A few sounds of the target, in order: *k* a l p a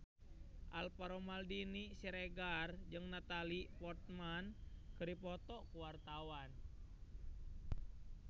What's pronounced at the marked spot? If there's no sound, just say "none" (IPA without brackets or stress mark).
ʔ